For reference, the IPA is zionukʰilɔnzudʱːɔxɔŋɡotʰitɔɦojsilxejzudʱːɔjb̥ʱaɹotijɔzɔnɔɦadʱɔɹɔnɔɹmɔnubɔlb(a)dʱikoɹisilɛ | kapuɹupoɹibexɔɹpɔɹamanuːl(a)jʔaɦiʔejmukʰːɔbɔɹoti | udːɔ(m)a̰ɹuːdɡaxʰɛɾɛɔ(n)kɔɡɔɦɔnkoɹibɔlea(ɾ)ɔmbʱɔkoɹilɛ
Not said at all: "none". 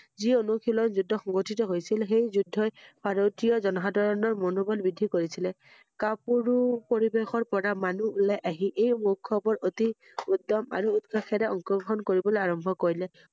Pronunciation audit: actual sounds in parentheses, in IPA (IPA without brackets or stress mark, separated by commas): i, a, m, ŋ, ɹ